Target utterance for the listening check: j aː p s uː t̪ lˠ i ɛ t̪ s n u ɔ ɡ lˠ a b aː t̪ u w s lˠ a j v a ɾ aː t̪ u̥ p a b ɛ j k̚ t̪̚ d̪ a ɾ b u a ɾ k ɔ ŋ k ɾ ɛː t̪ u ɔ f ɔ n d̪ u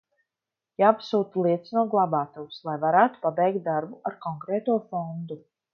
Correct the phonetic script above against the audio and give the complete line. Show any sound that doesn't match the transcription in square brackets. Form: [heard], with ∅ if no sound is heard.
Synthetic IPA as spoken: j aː p s uː t̪ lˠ i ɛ t̪ s n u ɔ ɡ lˠ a b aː t̪ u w s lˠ a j v a ɾ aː t̪ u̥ p a b ɛ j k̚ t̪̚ d̪ a ɾ b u a ɾ k ɔ ŋ k ɾ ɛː t̪ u ɔ f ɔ n d̪ u